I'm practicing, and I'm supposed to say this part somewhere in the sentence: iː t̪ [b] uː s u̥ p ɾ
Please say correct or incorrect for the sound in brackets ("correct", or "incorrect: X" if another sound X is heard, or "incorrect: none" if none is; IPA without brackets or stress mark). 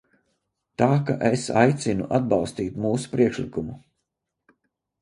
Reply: incorrect: m